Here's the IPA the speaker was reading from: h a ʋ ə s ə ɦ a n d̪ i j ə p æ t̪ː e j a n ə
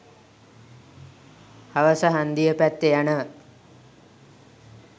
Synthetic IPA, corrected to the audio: h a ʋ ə s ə ɦ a n d̪ i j ə p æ t̪ː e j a n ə